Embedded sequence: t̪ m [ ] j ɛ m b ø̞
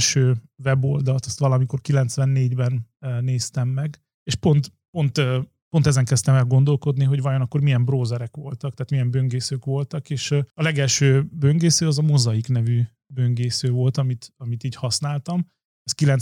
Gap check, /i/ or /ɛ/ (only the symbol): i